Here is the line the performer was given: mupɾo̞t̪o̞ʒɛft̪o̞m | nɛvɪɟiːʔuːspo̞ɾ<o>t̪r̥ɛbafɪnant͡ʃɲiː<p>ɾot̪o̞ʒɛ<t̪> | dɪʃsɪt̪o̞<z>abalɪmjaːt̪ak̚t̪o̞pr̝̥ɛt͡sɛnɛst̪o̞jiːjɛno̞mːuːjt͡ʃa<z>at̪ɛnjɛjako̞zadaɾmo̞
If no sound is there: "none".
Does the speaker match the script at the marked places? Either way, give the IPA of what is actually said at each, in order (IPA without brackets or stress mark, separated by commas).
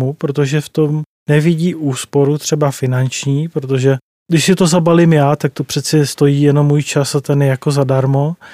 u, p, none, z, s